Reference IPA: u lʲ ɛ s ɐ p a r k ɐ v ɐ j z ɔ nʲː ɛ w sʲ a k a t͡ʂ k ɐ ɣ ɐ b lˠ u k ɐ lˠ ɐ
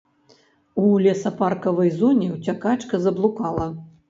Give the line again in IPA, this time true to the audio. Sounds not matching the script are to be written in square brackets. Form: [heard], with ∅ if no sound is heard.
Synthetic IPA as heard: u lʲ ɛ s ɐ p a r k ɐ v ɐ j z ɔ [nʲ] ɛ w [t͡sʲ] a k a t͡ʂ k ɐ [z] ɐ b lˠ u k [a] lˠ ɐ

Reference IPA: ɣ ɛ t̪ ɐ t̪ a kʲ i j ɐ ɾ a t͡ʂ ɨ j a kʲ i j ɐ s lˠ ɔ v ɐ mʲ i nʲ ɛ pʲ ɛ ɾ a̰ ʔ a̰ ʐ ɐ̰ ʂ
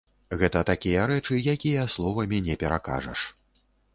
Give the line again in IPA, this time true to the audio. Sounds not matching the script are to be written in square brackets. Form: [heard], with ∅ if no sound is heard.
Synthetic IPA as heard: ɣ ɛ t̪ ɐ t̪ a kʲ i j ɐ ɾ [ɛ] t͡ʂ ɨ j a kʲ i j ɐ s lˠ ɔ v ɐ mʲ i nʲ ɛ pʲ ɛ ɾ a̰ [k] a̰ ʐ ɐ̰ ʂ

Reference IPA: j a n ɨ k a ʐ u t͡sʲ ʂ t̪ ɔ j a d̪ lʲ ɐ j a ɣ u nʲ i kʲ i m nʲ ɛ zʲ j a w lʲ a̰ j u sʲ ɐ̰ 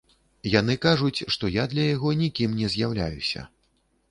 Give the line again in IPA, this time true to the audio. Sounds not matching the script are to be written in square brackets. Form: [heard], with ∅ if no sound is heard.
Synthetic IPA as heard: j a n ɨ k a ʐ u t͡sʲ ʂ t̪ ɔ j a d̪ lʲ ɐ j a ɣ [ɔ] nʲ i kʲ i m nʲ ɛ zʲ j a w lʲ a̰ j u sʲ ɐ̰

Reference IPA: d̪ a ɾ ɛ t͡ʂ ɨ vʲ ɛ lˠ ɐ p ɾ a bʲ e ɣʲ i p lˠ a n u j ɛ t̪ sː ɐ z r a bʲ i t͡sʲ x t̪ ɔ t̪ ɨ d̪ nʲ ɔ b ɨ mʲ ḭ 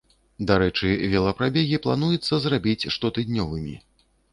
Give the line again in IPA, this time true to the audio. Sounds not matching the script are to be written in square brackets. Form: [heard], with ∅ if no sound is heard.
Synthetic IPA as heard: d̪ a ɾ ɛ t͡ʂ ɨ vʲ ɛ lˠ ɐ p ɾ a bʲ e ɣʲ i p lˠ a n u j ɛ t̪ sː ɐ z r a bʲ i t͡sʲ [ʂ] t̪ ɔ t̪ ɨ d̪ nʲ ɔ [v] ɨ mʲ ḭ

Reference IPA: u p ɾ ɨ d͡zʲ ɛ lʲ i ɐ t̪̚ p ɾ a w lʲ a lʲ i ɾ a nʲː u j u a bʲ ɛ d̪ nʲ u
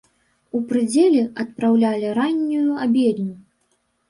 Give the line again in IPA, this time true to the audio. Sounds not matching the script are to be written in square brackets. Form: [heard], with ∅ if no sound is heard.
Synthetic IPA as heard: u p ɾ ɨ d͡zʲ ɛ lʲ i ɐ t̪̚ p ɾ a w lʲ a lʲ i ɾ a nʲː u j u a bʲ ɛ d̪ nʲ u

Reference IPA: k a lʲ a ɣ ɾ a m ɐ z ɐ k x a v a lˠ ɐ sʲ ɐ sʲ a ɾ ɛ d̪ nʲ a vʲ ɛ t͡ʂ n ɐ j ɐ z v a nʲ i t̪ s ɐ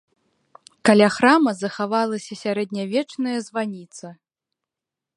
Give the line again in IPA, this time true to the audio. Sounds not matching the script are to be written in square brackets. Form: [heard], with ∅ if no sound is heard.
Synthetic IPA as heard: k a lʲ a [x] ɾ a m ɐ z ɐ [∅] x a v a lˠ ɐ sʲ ɐ sʲ a ɾ ɛ d̪ nʲ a vʲ ɛ t͡ʂ n ɐ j ɐ z v a nʲ i t̪ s ɐ

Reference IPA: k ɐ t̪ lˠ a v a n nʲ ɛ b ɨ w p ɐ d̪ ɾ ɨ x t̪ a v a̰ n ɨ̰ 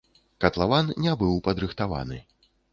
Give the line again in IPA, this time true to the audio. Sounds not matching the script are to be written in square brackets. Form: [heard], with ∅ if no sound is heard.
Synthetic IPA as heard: k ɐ t̪ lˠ a v a n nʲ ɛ b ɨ w p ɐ d̪ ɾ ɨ x t̪ a v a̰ n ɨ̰

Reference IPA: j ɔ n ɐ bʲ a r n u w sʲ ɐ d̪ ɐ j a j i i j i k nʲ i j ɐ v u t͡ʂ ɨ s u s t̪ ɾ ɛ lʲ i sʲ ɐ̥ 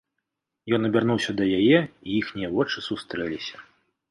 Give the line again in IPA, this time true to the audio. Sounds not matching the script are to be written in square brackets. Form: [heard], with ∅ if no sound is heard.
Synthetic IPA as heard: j ɔ n ɐ bʲ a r n u w sʲ ɐ d̪ ɐ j a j [ɛ] i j i [x] nʲ i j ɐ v [ɔ] t͡ʂ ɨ s u s t̪ ɾ ɛ lʲ i sʲ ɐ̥

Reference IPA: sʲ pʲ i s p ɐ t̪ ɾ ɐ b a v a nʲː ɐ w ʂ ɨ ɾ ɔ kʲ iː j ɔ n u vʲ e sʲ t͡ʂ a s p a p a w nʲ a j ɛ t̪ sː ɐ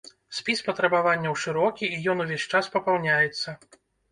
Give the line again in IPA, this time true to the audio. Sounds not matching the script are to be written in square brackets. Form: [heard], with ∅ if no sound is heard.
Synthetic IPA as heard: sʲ pʲ i s p ɐ t̪ ɾ ɐ b a v a nʲː ɐ w ʂ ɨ ɾ ɔ kʲ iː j ɔ n u vʲ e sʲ t͡ʂ a s p [ɐ] p a w nʲ a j ɛ t̪ sː ɐ

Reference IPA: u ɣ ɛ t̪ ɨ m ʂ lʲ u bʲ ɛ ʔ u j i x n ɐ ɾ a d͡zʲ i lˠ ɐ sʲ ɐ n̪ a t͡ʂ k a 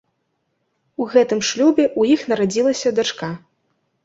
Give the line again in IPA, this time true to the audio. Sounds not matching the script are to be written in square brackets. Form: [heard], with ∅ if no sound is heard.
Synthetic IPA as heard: u ɣ ɛ t̪ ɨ m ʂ lʲ u bʲ ɛ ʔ u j i x n ɐ ɾ a d͡zʲ i lˠ ɐ sʲ ɐ [d̪] a t͡ʂ k a

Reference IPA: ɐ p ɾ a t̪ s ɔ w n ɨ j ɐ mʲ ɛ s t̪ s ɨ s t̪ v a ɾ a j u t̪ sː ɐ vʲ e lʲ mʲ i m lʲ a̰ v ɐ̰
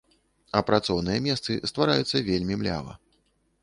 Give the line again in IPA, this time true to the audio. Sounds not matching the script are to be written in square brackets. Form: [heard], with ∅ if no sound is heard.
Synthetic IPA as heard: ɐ p ɾ a t̪ s ɔ w n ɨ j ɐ mʲ ɛ s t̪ s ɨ s t̪ v a ɾ a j u t̪ sː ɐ vʲ e lʲ mʲ i m lʲ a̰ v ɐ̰

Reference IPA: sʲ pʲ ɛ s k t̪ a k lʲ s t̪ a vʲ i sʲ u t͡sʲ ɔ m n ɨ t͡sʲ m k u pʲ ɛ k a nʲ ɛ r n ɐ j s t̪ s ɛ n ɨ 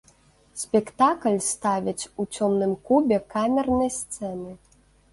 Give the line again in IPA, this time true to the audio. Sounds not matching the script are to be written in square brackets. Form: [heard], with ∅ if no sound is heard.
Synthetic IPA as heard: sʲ pʲ ɛ [∅] k t̪ a k lʲ s t̪ a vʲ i [t͡sʲ] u t͡sʲ ɔ m n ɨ [∅] m k u [bʲ] ɛ k a [mʲ] ɛ r n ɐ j s t̪ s ɛ n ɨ

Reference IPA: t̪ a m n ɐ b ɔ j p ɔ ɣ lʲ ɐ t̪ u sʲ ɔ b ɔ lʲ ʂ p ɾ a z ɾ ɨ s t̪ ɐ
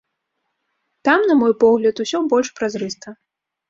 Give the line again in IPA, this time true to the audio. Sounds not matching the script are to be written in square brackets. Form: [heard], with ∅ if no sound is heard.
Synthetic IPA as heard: t̪ a m n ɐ [m] ɔ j p ɔ ɣ lʲ ɐ t̪ u sʲ ɔ b ɔ lʲ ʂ p ɾ a z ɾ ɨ s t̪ ɐ

